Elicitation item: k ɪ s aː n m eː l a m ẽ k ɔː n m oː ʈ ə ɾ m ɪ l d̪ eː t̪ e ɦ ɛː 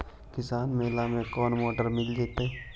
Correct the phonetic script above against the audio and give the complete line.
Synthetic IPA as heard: k ɪ s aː n m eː l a m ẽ k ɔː n m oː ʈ ə ɾ m ɪ l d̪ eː t̪ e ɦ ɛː